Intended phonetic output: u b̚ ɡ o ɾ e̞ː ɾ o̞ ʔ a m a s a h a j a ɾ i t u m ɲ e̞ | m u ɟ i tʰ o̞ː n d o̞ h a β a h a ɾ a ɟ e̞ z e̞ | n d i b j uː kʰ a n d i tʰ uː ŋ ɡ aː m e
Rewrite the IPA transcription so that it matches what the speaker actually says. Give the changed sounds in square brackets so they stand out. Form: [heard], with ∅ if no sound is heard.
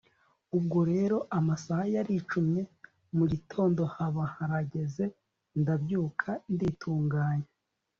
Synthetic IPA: u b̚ ɡ o ɾ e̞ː ɾ o̞ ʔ a m a s a h a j a ɾ i [t͡ʃ] u m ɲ e̞ | m u ɟ i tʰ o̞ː n d o̞ h a β a h a ɾ a ɟ e̞ z e̞ | n d [a] b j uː kʰ a n d i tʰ uː ŋ ɡ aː [ɲ] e